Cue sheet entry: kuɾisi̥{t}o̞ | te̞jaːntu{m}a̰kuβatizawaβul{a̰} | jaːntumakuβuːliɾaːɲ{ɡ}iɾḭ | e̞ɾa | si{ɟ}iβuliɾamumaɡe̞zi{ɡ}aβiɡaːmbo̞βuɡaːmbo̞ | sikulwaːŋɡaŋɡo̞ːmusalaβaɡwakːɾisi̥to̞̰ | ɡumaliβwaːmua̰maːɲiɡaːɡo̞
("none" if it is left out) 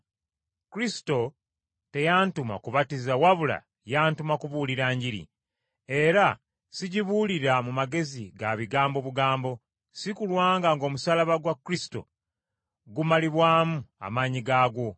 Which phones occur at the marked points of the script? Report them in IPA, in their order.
t, m, a̰, ɟ, ɟ, ɡ

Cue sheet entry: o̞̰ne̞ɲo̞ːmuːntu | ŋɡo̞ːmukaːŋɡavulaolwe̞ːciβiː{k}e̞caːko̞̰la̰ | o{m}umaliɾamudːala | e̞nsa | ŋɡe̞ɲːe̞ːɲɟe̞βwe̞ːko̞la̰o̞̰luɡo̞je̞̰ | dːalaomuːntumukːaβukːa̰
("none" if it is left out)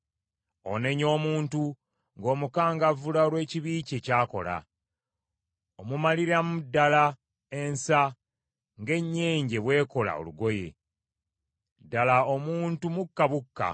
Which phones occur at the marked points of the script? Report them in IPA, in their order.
c, m

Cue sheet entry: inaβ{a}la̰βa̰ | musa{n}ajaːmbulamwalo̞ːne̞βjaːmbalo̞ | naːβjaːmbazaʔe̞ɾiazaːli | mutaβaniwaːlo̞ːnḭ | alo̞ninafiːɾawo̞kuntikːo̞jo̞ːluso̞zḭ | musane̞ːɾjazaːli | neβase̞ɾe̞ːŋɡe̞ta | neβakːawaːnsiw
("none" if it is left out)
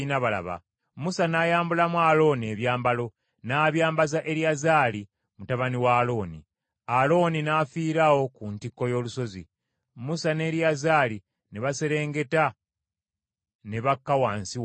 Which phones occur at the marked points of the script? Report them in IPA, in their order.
a, n

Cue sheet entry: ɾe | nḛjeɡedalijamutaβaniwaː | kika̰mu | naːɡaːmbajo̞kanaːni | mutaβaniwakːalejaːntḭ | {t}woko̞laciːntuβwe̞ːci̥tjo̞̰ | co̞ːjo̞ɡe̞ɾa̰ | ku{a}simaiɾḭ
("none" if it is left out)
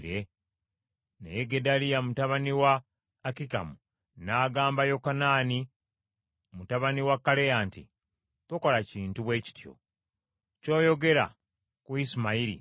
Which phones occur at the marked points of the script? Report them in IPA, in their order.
t, i

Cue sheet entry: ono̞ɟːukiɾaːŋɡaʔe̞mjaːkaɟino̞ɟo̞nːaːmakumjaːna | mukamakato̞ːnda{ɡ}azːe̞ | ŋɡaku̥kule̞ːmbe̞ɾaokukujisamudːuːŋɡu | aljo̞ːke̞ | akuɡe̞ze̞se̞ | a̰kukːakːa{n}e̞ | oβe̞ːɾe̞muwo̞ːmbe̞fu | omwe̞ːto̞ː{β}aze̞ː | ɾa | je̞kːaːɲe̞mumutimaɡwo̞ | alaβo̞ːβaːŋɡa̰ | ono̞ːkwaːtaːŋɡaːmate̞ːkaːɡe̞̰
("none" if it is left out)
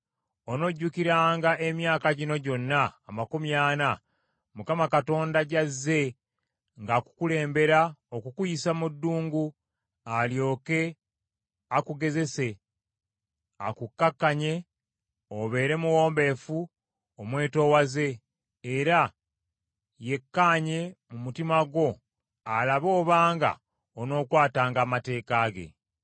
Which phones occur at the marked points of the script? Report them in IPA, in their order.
ɟ, ɲ, w

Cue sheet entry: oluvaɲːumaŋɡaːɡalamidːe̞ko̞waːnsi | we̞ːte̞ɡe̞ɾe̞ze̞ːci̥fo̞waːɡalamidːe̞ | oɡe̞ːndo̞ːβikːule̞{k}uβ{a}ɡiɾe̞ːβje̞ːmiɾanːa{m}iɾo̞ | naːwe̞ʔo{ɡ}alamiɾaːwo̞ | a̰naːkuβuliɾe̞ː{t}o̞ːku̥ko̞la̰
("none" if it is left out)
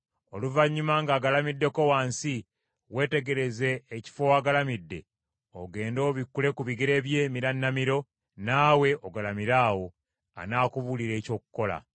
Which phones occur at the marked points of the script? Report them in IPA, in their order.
k, i, m, ɡ, c

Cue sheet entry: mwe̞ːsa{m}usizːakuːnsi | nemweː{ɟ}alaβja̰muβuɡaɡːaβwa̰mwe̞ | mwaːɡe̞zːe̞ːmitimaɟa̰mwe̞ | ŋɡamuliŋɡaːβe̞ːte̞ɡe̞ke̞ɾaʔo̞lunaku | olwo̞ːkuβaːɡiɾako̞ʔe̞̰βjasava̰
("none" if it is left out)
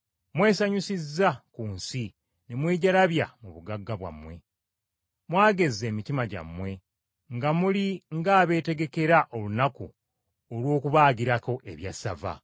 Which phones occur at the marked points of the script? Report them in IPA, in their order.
ɲ, ɟ

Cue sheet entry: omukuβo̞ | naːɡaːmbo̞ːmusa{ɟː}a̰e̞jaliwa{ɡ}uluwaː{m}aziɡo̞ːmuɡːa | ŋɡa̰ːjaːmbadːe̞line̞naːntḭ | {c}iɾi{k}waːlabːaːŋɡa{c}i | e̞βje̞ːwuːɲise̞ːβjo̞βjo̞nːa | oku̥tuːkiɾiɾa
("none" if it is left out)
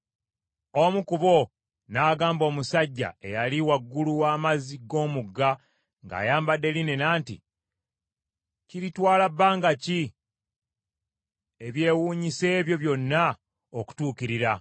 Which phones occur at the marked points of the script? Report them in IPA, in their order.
ɟː, ɡː, m, c, t, c

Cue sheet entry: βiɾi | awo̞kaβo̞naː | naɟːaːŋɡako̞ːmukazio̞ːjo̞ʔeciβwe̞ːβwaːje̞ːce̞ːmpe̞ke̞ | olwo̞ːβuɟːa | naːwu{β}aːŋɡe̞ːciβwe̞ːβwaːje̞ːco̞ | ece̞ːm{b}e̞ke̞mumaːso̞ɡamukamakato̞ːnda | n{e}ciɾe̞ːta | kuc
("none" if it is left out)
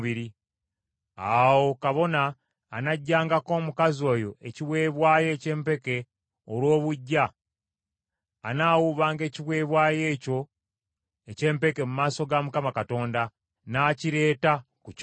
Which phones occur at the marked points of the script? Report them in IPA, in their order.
β, p, a

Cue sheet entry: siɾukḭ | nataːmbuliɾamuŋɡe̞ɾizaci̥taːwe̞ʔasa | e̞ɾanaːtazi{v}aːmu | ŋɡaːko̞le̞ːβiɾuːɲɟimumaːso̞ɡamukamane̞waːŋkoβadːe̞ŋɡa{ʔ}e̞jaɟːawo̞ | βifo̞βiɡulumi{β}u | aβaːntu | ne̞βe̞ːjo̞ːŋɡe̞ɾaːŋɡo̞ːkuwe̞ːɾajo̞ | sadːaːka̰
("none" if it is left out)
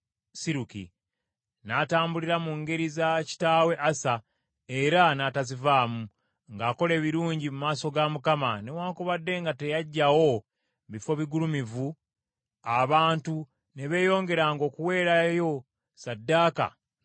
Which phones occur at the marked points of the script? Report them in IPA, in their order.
v, t, v

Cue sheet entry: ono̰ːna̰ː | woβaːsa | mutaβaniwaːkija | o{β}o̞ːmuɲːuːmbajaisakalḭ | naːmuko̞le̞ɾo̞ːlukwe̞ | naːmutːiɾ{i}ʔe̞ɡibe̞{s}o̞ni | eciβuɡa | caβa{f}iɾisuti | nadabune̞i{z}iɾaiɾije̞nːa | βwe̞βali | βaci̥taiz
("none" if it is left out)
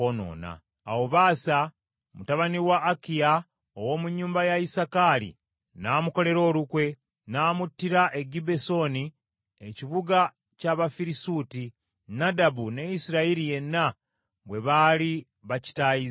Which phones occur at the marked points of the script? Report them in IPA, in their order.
w, a, s, f, s

